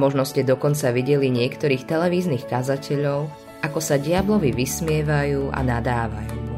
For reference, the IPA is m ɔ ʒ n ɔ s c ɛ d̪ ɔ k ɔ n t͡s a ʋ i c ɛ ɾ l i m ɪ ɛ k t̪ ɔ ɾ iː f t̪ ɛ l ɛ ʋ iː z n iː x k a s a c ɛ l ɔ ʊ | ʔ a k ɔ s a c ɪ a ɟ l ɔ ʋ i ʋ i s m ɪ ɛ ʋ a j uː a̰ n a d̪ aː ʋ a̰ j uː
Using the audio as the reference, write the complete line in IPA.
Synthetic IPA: m ɔ ʒ n ɔ s c ɛ d̪ ɔ k ɔ n t͡s a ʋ i ɟ ɛ l i ɲ ɪ ɛ k t̪ ɔ ɾ iː x t̪ ɛ l ɛ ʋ iː z n iː x k a z a c ɛ ʎ ɔ ʊ | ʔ a k ɔ s a ɟ ɪ a b l ɔ ʋ i ʋ i s m ɪ ɛ ʋ a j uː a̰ n a d̪ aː ʋ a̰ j uː